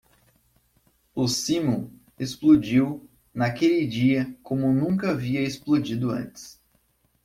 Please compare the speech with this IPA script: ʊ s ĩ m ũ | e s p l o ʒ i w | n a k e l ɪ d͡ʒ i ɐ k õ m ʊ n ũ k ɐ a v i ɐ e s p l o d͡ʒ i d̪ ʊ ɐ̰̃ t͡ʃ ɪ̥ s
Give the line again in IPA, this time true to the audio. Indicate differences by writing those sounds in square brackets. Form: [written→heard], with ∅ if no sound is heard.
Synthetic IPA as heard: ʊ s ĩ m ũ | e s p l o [ʒ→d͡ʒ] i w | n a k e l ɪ d͡ʒ i ɐ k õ m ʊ n ũ k ɐ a v i ɐ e s p l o d͡ʒ i d̪ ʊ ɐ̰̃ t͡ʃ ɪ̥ s